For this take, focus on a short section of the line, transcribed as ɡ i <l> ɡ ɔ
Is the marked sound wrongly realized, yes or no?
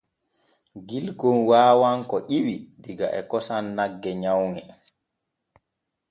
no